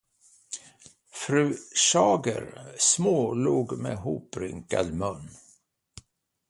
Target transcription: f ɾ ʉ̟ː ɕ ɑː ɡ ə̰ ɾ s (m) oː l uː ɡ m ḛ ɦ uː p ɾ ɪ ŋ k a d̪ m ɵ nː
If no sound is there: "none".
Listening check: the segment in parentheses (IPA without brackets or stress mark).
m